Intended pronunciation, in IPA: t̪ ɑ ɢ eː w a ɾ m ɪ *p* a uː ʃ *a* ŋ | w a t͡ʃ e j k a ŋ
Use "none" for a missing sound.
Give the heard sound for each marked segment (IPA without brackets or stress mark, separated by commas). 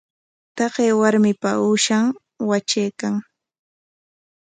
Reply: p, a